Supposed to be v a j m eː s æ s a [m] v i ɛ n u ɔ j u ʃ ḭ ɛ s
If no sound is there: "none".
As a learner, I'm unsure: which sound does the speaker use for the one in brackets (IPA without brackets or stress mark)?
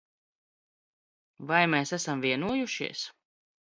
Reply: m